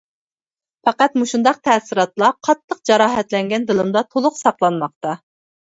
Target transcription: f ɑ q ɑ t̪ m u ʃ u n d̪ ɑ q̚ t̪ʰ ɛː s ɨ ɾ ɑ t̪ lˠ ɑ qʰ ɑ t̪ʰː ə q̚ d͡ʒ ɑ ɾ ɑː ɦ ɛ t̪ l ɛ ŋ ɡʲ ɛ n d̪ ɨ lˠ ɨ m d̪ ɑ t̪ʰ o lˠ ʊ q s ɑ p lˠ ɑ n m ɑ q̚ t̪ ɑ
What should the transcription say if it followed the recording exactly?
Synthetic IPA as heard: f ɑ q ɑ t̪ m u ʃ u n d̪ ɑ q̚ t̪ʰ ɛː s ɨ ɾ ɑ t̪ lˠ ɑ qʰ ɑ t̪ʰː ə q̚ d͡ʒ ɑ ɾ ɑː ɦ ɛ t̪ l ɛ ŋ ɡʲ ɛ n d̪ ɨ lˠ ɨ m d̪ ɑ t̪ʰ o lˠ ʊ q s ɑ q lˠ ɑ n m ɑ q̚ t̪ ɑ